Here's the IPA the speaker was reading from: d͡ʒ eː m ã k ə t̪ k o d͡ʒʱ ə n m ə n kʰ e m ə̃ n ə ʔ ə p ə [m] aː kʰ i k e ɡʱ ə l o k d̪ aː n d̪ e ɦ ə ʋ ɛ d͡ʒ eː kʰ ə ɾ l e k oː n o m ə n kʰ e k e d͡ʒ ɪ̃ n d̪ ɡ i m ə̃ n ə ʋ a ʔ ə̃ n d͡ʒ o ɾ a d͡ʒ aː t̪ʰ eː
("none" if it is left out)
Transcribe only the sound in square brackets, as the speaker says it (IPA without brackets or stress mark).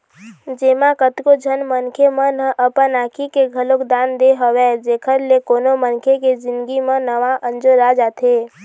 n